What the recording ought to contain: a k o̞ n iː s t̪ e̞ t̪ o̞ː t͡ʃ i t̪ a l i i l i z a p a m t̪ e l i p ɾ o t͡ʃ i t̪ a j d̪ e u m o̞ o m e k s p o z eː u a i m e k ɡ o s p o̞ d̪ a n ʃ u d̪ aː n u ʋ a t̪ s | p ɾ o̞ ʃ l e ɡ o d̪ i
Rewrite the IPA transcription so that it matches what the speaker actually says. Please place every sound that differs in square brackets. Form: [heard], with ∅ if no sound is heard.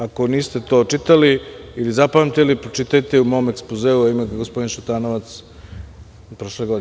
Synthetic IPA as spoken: a k o̞ n iː s t̪ e̞ t̪ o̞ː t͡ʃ i t̪ a l i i l i z a p a m t̪ e l i p ɾ o t͡ʃ i t̪ a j [t̪] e u m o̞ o m e k s p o z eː u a i m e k ɡ o s p o̞ d̪ [i] n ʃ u [t̪] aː n [o] ʋ a t̪ s | p ɾ o̞ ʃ l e ɡ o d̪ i